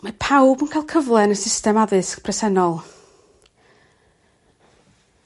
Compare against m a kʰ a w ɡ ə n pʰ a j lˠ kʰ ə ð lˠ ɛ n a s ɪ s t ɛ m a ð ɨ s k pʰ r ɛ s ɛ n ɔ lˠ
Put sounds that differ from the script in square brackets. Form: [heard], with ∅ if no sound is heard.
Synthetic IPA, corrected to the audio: m a [pʰ] a w [b] ə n [kʰ] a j lˠ kʰ ə [v] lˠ ɛ n [ə] s ɪ s t ɛ m a ð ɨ s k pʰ r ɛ s ɛ n ɔ lˠ